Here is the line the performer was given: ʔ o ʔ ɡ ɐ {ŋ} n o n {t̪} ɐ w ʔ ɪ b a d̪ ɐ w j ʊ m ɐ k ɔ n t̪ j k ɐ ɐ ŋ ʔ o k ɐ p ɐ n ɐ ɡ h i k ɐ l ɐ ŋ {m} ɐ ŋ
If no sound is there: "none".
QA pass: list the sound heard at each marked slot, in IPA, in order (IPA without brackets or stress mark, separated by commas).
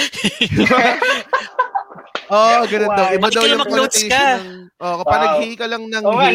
none, d̪, n